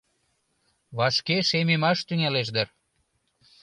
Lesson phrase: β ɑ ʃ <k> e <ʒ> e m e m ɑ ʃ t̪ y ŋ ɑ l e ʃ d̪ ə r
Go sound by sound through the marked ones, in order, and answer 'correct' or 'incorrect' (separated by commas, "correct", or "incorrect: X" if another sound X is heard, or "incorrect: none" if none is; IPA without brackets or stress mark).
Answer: correct, incorrect: ʃ